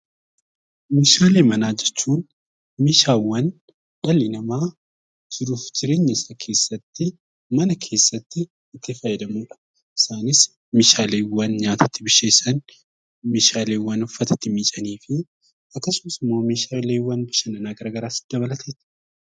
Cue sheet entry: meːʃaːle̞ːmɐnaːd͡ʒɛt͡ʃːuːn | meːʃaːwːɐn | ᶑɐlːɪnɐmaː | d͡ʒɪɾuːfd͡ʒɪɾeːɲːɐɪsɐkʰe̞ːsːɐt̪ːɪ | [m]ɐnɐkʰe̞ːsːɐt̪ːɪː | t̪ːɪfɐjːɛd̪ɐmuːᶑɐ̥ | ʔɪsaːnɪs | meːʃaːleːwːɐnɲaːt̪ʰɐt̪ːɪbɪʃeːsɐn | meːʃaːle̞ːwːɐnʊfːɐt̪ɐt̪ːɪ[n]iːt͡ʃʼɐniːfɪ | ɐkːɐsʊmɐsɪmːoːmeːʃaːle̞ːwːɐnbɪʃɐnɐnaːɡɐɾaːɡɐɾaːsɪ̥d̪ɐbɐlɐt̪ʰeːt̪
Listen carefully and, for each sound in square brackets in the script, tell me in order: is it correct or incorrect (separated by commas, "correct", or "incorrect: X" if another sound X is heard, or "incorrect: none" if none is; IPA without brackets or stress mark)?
correct, incorrect: m